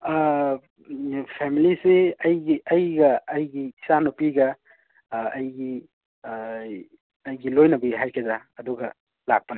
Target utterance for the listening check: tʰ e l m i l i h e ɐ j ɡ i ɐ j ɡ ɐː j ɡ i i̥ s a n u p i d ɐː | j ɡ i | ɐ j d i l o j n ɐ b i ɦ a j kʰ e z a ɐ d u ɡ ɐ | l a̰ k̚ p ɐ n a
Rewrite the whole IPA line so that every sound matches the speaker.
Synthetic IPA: pʰ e m i l i s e ɐ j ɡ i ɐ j ɡ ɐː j ɡ i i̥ s a n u p i ɡ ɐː | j ɡ i | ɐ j ɡ i l o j n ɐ b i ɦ a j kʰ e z a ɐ d u ɡ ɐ | l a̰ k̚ p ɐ n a